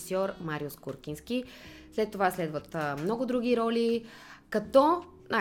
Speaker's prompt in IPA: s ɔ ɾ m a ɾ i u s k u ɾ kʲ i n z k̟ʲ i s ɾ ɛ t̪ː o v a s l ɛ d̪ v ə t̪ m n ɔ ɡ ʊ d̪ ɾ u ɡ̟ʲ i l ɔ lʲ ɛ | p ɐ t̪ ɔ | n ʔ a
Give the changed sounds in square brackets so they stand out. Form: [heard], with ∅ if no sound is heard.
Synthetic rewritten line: s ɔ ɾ m a ɾ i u s k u ɾ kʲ i n [s] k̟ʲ i s [l] ɛ t̪ː o v a s l ɛ d̪ v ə t̪ m n ɔ ɡ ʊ d̪ ɾ u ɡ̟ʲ i [ɾ] ɔ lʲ [i] | [k] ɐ t̪ ɔ | n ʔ a